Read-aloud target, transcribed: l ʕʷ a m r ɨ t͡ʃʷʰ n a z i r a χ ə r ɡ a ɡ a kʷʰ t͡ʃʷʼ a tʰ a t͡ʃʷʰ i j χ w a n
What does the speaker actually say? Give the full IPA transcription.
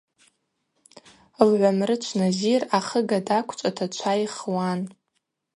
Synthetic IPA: l ʕʷ a m r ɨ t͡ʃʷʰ n a z i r a χ ə ɡ a d a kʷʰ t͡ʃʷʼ a tʰ a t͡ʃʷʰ a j χ w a n